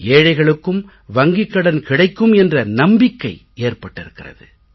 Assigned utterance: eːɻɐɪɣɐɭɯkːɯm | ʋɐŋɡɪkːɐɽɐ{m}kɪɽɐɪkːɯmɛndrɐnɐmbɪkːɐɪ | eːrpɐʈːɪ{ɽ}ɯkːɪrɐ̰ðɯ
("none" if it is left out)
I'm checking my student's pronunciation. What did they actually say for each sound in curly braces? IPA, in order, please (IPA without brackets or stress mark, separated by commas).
n, ɾ